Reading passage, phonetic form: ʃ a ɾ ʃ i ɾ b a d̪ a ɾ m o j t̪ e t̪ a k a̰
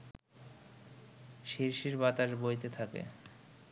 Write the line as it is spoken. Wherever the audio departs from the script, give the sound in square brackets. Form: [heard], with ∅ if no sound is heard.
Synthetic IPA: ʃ [i] ɾ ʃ i ɾ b a [t̪] a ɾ [b] o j t̪ e [t̪ʰ] a k [ḛ]